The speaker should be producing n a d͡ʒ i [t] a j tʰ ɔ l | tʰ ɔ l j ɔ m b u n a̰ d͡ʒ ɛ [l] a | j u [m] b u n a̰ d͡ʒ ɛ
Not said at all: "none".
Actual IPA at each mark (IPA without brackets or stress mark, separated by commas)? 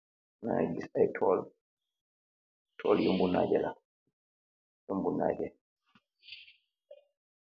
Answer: s, l, m